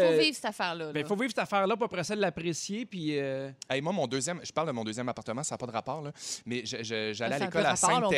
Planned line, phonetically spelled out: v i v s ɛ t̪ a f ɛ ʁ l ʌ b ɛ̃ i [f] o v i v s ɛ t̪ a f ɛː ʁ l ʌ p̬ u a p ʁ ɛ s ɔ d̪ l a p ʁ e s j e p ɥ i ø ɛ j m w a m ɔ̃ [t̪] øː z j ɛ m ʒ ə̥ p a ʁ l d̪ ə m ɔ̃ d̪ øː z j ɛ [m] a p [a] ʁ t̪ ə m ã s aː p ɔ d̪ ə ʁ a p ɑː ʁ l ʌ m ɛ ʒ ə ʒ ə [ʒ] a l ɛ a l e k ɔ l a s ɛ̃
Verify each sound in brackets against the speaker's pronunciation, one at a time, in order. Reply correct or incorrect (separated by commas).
correct, incorrect, correct, correct, correct